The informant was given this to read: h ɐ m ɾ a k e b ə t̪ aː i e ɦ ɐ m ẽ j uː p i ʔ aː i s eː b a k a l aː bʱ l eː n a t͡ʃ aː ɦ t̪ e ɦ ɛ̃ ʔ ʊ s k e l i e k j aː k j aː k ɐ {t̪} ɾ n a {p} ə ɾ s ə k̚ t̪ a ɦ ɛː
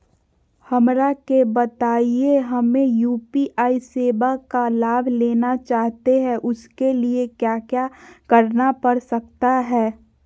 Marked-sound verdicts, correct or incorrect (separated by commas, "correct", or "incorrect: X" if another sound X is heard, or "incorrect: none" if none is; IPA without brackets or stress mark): incorrect: none, correct